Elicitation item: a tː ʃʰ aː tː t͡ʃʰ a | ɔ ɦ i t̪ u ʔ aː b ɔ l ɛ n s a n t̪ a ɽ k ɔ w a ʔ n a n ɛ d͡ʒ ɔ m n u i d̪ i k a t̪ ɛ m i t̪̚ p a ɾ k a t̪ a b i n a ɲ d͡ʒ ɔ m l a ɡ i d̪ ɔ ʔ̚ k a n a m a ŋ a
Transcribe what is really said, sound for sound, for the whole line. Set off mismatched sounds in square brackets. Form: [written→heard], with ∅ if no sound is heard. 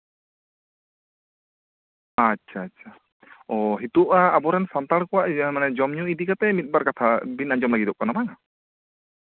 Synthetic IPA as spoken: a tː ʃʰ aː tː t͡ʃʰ a | ɔ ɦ i t̪ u ʔ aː b ɔ [l→ɾ] ɛ n s a n t̪ a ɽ k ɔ w a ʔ [n→m] a n ɛ d͡ʒ ɔ m [n→ɲ] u i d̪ i k a t̪ ɛ m i t̪̚ [p→b] a ɾ k a [t̪→t̪ʰ] a b i n a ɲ d͡ʒ ɔ m l a ɡ i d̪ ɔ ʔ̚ k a n a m a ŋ a